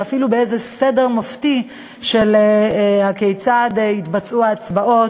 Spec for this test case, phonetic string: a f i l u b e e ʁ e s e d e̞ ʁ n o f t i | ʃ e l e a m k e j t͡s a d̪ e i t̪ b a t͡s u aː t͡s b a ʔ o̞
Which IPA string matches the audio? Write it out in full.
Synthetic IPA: a f i l u b e e z e s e d e̞ ʁ m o f t i | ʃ e l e a k e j t͡s a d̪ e i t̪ b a t͡s u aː t͡s b a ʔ o̞